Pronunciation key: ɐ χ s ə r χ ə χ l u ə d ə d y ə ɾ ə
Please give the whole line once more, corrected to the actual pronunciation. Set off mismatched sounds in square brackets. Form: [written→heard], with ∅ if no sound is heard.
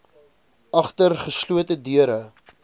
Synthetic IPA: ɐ χ [s→t] ə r χ ə [χ→s] l u ə [d→t] ə d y ə ɾ ə